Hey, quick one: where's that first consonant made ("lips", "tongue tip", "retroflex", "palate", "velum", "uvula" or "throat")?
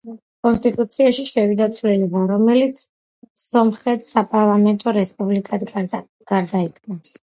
velum